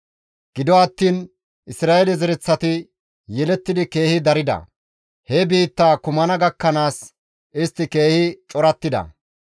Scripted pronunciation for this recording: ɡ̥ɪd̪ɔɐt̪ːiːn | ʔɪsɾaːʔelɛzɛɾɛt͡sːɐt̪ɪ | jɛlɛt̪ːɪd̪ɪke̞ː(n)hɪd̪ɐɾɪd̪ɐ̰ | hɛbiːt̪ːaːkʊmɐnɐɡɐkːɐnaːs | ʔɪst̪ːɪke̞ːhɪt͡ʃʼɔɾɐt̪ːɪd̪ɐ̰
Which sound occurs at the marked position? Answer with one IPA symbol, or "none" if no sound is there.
none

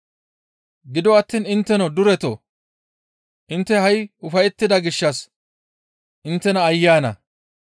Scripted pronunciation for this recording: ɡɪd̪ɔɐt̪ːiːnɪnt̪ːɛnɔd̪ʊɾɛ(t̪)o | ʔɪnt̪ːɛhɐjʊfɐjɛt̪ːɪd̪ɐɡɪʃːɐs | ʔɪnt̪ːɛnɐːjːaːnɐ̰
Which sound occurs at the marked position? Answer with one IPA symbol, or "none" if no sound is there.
t̪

